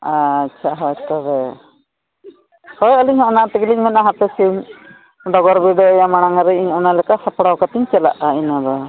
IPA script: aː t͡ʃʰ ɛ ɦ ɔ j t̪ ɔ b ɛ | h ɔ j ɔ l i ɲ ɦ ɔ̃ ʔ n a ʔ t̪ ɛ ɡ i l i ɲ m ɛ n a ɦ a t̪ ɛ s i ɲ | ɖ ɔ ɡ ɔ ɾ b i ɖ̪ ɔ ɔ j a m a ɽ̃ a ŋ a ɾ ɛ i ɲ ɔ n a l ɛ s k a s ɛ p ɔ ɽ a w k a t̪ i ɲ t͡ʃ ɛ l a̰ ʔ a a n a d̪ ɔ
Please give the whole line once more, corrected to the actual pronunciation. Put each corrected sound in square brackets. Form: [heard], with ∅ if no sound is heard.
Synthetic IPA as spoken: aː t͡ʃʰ [a] ɦ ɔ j t̪ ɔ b ɛ | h ɔ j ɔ l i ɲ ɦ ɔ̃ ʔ n a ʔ t̪ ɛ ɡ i l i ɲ m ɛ n a ɦ a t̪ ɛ s i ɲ | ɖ ɔ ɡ ɔ ɾ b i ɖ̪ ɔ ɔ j a m a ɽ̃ a ŋ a ɾ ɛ i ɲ ɔ n a l ɛ [∅] k a s [a] p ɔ ɽ a w k a t̪ i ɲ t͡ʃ ɛ l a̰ ʔ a [i] n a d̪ ɔ